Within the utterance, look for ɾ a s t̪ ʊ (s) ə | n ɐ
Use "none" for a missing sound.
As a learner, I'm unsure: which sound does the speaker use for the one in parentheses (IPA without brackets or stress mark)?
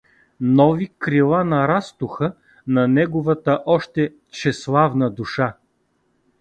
x